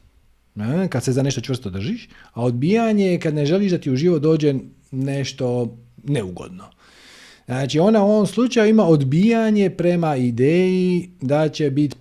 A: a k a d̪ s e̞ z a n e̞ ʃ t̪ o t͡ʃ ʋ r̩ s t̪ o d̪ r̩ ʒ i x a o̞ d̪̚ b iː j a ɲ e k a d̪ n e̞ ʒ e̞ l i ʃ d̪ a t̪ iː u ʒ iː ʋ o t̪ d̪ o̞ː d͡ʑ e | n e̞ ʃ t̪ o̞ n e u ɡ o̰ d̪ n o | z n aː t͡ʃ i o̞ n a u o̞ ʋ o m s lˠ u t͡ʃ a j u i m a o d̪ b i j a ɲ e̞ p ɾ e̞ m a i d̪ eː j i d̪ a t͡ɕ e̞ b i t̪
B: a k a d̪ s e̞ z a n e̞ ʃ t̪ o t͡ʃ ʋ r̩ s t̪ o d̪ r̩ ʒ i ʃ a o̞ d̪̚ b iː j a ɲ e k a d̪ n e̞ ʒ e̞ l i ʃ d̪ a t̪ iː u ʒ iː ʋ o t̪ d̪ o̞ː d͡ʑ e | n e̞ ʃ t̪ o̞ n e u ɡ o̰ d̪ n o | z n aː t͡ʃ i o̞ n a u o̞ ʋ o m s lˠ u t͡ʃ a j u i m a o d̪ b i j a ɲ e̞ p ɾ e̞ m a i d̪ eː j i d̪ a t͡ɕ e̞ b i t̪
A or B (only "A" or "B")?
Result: B